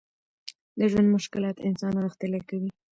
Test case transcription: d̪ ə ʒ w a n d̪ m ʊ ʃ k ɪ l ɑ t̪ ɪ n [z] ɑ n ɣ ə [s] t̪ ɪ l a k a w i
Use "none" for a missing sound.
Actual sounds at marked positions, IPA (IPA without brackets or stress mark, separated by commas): s, x